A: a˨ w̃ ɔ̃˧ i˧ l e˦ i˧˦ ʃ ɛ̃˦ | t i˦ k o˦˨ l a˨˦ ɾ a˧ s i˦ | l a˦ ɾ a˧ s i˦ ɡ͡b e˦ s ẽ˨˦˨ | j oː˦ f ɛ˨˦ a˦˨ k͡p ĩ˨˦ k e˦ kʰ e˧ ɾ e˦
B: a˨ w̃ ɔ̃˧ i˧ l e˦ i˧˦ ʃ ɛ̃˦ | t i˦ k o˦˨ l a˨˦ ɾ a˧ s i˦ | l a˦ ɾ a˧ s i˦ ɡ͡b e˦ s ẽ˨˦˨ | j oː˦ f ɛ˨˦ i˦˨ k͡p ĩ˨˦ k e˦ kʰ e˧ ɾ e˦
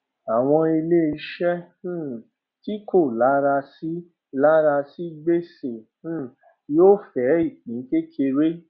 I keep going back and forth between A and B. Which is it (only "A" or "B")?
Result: B